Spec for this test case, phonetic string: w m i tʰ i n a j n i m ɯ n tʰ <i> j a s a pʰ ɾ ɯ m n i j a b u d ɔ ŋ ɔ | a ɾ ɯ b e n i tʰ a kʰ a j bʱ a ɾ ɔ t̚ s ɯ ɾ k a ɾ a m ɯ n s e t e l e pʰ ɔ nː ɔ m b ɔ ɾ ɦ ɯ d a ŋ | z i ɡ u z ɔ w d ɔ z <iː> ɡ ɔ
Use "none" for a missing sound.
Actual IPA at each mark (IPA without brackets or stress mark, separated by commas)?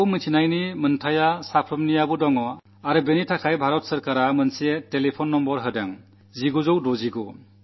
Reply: a, i